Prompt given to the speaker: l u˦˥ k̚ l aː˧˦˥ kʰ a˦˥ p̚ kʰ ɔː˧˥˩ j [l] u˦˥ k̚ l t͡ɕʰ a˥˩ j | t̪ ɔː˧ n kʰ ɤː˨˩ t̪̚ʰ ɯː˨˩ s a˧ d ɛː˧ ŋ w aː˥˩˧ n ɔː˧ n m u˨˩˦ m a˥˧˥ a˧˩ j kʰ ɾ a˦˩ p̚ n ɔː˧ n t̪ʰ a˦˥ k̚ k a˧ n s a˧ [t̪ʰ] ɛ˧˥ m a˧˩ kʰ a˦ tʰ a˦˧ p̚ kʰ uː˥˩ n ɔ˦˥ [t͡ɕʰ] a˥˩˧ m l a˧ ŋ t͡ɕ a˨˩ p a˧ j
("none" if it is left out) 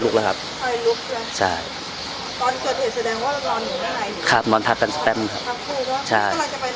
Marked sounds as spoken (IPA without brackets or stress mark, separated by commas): l, t̪, t͡ɕʰ